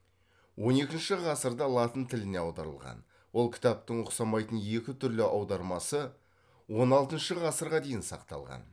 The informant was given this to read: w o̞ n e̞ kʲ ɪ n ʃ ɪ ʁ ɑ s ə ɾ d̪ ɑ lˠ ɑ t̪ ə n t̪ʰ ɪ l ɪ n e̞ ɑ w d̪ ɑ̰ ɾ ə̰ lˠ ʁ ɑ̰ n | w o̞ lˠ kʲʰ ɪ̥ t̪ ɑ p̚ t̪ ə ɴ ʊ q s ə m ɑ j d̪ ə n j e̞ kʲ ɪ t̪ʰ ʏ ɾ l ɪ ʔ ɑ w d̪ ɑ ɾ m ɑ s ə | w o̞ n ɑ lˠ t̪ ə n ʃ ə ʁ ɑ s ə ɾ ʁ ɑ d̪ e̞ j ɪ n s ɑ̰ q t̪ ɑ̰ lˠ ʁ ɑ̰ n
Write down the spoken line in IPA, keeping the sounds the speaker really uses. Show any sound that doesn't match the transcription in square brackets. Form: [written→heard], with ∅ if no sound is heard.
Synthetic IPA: w o̞ n e̞ kʲ ɪ n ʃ ɪ ʁ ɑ s ə ɾ d̪ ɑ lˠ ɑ t̪ ə n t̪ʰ ɪ l ɪ n e̞ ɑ w d̪ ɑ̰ ɾ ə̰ lˠ ʁ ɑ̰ n | w o̞ lˠ kʲʰ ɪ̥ t̪ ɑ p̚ t̪ ə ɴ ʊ q s [ə→ɑ] m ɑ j [d̪→t̪] ə n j e̞ kʲ ɪ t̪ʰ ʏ ɾ l ɪ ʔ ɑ w d̪ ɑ ɾ m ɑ s ə | w o̞ n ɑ lˠ t̪ ə n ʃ ə ʁ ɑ s ə ɾ ʁ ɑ d̪ e̞ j ɪ n s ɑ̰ q t̪ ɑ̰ lˠ ʁ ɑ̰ n